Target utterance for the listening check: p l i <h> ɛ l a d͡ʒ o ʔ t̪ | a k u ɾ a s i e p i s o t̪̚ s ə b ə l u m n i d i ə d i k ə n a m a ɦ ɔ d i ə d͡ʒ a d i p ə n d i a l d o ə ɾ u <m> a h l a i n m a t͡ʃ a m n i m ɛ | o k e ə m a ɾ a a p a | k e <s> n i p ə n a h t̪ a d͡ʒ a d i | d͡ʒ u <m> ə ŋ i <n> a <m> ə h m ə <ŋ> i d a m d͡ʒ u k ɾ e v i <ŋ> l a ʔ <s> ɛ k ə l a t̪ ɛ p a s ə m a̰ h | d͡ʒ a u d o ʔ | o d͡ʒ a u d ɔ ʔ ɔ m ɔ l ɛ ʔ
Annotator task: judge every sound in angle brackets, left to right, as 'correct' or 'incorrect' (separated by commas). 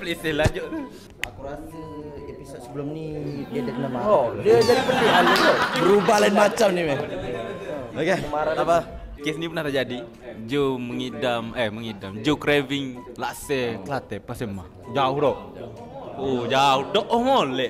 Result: incorrect, incorrect, correct, correct, incorrect, correct, correct, correct, correct